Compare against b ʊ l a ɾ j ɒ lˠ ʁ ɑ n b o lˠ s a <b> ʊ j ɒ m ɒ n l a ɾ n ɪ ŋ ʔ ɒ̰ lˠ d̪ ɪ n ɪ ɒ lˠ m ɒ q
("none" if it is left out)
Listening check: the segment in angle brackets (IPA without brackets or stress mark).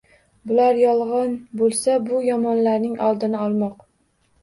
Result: b